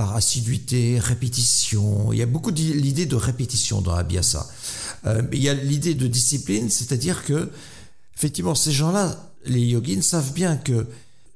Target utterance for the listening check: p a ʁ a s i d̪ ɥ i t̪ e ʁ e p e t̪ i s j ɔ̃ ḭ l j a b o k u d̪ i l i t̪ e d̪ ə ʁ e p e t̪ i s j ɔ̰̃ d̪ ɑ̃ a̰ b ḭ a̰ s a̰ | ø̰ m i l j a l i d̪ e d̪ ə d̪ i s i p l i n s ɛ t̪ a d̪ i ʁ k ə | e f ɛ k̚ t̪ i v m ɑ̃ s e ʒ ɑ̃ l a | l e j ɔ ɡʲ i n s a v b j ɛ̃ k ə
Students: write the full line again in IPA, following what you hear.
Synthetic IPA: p a ʁ a s i d̪ ɥ i t̪ e ʁ e p e t̪ i s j ɔ̃ ḭ l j a b o k u d̪ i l i d̪ e d̪ ə ʁ e p e t̪ i s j ɔ̰̃ d̪ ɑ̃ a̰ b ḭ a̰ s a̰ | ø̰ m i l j a l i d̪ e d̪ ə d̪ i s i p l i n s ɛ t̪ a d̪ i ʁ k ə | e f ɛ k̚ t̪ i v m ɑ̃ s e ʒ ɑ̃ l a | l e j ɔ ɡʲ i n s a v b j ɛ̃ k ə